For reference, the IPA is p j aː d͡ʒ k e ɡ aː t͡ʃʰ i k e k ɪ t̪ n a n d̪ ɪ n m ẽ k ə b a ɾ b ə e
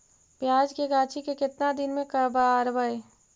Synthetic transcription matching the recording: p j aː d͡ʒ k e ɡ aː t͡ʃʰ i k e k ɪ t̪ n a d̪ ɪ n m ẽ k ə b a ɾ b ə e